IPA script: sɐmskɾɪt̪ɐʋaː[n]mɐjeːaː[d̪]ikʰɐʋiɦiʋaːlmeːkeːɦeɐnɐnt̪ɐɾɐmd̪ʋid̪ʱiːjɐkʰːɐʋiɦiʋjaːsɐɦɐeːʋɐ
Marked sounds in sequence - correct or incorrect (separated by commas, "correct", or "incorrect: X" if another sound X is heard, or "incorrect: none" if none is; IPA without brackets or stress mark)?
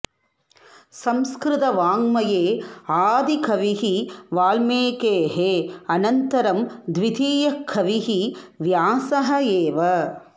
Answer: incorrect: ŋ, correct